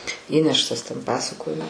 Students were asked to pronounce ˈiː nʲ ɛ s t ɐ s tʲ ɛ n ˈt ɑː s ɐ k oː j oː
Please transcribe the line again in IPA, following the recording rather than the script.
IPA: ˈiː nʲ ɛ ʃ t ɐ s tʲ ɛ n ˈp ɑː s ɐ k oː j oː

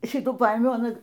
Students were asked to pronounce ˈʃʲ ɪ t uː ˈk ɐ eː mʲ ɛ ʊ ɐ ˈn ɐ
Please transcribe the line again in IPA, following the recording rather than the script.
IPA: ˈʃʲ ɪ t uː ˈp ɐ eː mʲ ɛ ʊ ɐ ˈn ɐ

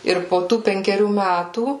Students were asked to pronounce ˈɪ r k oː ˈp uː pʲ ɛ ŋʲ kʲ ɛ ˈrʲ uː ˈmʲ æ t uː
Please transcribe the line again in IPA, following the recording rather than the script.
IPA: ˈɪ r p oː ˈt uː pʲ ɛ ŋʲ kʲ ɛ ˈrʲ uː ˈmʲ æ t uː

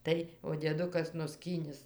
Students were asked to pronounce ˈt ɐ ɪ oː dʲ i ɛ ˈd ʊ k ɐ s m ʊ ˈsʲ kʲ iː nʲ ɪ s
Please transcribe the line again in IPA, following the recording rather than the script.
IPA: ˈt ɐ ɪ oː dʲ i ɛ ˈd ʊ k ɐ s n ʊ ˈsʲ kʲ iː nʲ ɪ s

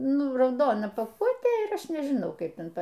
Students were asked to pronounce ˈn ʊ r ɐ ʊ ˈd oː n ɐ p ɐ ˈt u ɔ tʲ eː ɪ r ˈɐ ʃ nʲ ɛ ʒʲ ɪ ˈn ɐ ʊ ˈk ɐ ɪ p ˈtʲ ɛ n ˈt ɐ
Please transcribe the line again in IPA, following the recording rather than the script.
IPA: ˈn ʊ r ɐ ʊ ˈd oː n ɐ p ɐ ˈk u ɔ tʲ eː ɪ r ˈɐ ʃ nʲ ɛ ʒʲ ɪ ˈn ɐ ʊ ˈk ɐ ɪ p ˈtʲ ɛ n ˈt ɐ

